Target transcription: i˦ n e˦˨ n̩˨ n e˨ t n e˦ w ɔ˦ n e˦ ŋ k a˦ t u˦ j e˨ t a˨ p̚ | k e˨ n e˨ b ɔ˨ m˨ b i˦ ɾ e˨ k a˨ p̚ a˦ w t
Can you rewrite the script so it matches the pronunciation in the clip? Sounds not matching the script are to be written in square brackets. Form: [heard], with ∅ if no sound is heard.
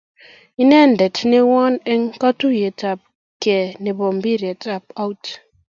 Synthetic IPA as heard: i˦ n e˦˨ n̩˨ [d] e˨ t n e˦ w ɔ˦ n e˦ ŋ k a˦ t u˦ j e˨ t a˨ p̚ | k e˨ n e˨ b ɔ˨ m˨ b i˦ ɾ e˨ [t] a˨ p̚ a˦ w t